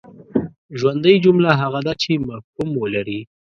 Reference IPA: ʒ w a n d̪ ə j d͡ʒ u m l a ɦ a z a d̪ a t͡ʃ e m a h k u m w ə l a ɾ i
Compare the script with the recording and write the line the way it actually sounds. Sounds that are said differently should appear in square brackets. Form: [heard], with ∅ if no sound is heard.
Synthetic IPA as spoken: ʒ w a n d̪ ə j d͡ʒ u m l a ɦ a [ɣ] a d̪ a t͡ʃ e m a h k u m w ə l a ɾ i